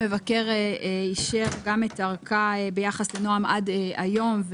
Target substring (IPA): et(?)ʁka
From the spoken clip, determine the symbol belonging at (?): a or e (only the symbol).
a